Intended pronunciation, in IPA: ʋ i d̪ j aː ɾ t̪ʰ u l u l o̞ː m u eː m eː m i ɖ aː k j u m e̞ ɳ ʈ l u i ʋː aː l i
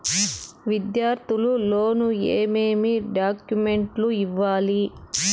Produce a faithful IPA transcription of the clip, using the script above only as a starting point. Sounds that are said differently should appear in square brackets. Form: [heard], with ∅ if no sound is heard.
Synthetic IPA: ʋ i d̪ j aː ɾ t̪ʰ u l u l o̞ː [n] u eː m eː m i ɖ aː k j u m e̞ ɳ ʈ l u i ʋː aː l i